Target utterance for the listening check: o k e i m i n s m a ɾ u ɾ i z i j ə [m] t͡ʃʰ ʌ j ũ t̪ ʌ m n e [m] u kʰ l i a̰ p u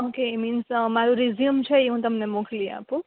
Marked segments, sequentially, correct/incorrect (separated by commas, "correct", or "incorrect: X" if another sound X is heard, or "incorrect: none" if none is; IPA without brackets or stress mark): correct, correct